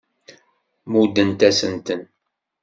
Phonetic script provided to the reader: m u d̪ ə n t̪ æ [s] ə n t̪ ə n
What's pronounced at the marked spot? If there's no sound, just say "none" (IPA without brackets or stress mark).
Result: s